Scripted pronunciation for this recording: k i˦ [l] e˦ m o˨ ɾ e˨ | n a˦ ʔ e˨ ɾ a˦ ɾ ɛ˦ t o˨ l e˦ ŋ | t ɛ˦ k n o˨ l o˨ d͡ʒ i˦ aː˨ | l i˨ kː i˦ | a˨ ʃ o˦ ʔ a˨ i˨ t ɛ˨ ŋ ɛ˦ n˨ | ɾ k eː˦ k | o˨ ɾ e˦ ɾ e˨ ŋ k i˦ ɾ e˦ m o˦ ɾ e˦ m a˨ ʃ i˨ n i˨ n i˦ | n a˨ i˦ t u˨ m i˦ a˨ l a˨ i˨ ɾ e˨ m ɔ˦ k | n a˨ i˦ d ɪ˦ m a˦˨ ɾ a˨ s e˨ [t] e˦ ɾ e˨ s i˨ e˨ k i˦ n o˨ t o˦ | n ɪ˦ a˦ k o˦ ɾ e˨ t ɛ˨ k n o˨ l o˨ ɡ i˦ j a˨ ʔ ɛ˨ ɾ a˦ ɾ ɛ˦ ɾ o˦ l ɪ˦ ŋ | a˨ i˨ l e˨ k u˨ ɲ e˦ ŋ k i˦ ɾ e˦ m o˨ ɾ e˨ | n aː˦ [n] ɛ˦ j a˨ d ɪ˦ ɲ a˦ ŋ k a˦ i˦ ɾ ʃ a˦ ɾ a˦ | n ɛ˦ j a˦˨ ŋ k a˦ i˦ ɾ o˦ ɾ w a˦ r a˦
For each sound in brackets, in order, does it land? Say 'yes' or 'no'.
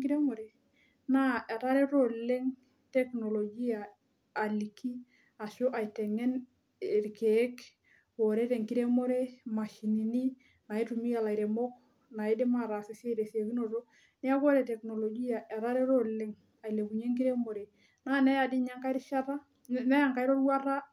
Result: no, no, yes

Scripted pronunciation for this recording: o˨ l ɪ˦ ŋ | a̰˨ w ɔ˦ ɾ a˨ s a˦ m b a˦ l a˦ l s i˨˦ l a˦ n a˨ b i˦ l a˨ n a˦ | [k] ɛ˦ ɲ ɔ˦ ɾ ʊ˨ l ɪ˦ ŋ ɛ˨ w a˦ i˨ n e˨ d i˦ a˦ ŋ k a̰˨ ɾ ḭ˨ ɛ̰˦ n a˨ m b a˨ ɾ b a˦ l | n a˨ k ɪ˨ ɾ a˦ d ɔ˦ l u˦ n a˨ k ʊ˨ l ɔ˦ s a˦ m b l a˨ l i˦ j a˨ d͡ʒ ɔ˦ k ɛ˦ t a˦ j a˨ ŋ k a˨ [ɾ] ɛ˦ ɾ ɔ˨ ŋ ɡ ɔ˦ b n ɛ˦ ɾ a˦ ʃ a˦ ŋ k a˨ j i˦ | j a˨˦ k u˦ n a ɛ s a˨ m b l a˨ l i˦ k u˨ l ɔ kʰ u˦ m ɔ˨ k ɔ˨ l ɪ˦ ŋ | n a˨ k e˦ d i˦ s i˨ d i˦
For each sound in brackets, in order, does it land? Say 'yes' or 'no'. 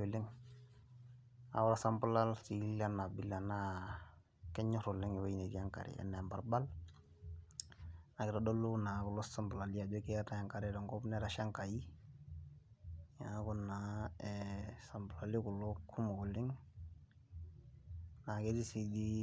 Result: yes, yes

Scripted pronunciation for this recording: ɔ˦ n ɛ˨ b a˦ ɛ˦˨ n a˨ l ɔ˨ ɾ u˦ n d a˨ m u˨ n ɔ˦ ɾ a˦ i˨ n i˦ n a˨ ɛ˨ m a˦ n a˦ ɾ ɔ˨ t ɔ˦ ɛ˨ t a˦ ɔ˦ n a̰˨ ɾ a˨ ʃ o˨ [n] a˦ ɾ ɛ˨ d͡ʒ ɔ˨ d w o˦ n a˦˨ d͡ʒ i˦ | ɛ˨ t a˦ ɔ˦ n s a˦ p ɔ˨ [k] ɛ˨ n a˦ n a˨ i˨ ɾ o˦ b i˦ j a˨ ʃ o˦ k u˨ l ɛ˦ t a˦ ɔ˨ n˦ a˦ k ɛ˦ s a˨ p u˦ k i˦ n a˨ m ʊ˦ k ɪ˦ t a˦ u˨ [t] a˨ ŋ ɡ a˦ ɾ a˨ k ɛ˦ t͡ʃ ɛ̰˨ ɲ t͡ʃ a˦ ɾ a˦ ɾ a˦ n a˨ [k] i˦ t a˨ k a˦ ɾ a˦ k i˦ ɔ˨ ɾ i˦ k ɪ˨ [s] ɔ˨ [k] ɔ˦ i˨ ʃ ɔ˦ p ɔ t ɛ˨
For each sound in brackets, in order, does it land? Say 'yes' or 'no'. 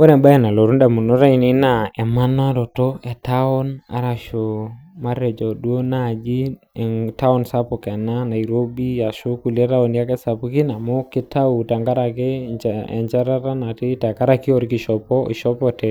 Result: no, yes, yes, no, no, no

